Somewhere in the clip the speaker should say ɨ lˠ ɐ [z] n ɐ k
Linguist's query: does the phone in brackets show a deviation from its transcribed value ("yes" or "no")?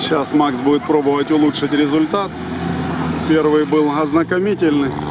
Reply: no